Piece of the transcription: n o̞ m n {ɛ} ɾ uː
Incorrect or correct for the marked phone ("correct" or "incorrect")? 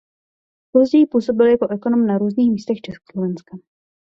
incorrect